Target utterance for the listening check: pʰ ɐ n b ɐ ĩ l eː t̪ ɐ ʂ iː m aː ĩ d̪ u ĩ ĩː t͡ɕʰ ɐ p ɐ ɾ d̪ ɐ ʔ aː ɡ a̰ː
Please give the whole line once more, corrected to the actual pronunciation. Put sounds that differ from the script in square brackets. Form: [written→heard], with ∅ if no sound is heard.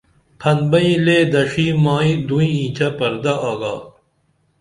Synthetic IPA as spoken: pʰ ɐ n b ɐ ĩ l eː [t̪→d̪] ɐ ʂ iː m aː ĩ d̪ u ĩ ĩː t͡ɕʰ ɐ p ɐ ɾ d̪ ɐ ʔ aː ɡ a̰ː